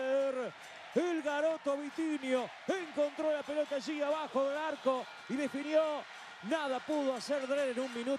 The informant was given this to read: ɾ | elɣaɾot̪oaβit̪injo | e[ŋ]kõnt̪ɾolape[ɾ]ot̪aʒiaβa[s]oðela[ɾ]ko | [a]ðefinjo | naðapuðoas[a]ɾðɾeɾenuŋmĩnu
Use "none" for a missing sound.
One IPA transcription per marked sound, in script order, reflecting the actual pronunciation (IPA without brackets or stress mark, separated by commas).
ŋ, l, x, ɾ, i, e